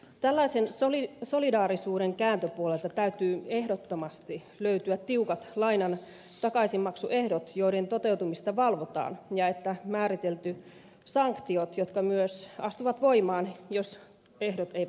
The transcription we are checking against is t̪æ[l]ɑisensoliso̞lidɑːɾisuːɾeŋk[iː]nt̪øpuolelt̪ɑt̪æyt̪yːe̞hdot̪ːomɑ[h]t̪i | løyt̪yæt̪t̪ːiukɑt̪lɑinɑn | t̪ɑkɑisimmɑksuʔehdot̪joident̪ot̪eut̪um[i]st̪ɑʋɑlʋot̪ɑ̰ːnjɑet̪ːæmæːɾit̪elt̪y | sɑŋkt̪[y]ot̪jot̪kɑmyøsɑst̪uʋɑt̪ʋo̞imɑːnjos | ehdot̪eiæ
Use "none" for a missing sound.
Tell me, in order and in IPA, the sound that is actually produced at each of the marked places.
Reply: lː, æː, s, i, i

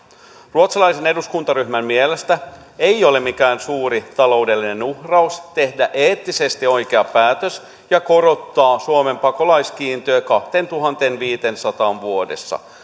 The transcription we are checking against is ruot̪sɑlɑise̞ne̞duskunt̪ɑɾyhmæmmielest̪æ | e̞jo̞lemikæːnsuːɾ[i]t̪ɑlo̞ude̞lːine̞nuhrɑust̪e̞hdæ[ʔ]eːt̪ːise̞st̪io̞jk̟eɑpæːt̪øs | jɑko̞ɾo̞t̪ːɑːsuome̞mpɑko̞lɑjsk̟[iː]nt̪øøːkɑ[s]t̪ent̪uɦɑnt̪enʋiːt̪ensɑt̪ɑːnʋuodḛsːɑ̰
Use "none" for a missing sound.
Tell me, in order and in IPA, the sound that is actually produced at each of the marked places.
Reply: i, ʔ, iː, h

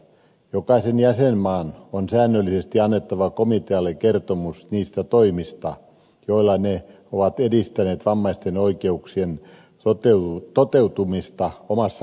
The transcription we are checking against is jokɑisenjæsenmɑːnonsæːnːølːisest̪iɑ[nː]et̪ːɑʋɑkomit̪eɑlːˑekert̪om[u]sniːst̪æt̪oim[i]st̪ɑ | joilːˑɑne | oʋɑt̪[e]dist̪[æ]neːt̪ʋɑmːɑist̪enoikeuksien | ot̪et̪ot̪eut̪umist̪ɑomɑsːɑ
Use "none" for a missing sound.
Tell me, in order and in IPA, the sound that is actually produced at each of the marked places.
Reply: nː, u, i, e, æ

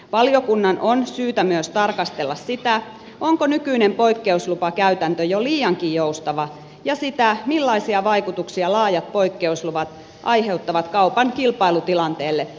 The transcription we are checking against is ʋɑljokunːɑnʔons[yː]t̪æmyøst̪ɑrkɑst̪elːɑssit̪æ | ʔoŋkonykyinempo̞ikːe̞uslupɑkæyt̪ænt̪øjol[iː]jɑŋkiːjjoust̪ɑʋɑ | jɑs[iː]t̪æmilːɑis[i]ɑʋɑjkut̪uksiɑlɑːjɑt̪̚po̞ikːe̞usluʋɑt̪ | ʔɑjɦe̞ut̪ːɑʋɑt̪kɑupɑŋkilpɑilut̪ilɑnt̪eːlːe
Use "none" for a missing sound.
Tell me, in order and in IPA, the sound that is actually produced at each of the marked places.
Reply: yː, iː, i, i

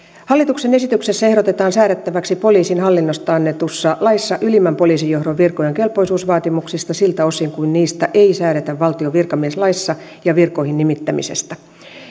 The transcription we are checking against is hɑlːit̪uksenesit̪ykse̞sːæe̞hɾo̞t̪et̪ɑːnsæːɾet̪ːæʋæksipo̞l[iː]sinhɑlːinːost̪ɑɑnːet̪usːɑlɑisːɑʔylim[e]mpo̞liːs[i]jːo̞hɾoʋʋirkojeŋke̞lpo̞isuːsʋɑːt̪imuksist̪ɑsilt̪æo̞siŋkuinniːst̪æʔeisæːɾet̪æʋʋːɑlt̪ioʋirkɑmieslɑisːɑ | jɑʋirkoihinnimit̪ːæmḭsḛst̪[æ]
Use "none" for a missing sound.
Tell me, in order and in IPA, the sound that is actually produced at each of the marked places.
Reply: iː, æ, i, æ

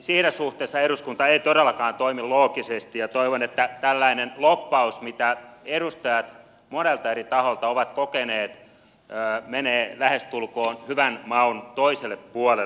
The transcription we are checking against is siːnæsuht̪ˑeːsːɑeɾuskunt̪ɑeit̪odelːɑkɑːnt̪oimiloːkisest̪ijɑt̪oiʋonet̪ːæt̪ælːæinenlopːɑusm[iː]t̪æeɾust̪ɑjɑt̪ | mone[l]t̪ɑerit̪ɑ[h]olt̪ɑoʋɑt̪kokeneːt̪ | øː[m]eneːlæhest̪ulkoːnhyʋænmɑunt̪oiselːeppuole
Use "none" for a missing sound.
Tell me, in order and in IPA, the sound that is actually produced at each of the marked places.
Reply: i, l, h, m

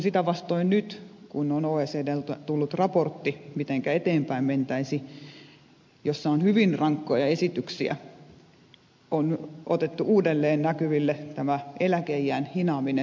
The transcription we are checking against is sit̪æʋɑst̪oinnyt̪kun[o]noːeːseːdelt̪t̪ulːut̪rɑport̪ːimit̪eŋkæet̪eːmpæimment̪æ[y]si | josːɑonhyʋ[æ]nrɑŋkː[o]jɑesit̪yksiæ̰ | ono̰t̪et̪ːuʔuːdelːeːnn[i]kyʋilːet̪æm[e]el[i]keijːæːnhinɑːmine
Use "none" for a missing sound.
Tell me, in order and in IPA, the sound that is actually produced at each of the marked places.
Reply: o, i, i, o, æ, æ, æ

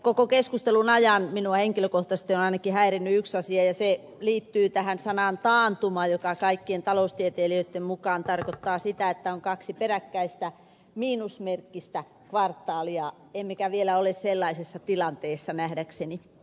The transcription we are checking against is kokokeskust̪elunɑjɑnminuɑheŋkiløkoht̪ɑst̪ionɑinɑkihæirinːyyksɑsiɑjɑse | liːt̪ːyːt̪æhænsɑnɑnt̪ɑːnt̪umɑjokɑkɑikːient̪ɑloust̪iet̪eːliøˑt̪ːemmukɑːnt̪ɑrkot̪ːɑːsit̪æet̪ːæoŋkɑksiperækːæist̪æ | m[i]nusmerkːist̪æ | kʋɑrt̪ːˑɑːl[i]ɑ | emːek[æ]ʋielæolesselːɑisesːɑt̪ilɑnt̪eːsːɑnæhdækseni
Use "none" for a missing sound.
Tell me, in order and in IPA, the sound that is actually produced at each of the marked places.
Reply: iː, i, æ

